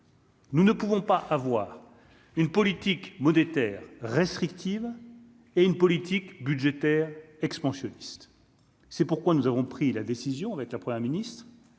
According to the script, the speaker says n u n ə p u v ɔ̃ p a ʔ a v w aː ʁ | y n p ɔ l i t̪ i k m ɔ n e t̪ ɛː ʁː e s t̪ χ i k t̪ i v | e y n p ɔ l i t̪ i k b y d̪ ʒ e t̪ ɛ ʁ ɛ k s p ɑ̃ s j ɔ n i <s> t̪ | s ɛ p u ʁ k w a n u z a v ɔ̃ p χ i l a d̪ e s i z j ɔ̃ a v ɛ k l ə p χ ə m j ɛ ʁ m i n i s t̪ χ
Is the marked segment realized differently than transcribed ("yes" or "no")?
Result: no